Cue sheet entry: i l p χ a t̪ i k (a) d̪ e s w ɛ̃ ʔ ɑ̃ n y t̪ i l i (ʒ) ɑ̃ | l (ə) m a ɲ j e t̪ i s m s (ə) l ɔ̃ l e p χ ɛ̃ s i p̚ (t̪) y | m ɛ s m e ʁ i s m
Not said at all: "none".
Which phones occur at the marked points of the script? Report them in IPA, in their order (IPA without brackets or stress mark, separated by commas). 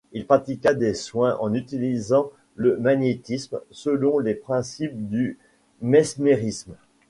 a, z, ə, ə, d̪